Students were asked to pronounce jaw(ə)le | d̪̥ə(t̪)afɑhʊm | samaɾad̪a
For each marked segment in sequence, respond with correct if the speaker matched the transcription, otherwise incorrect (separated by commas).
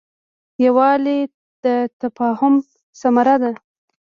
incorrect, correct